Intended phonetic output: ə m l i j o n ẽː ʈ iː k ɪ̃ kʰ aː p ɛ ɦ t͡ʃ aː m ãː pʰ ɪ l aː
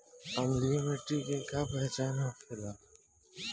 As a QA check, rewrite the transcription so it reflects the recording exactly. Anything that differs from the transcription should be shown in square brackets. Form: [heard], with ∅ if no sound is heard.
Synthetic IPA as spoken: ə m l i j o [m] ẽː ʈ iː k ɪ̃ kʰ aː p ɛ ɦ t͡ʃ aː [n] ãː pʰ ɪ l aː